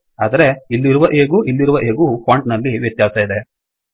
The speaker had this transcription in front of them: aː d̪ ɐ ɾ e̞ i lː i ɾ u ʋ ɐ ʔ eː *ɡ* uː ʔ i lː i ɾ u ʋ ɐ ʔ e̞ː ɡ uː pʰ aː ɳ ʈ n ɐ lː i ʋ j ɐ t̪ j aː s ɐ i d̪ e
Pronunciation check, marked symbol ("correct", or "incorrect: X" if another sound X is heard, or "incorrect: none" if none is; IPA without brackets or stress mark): correct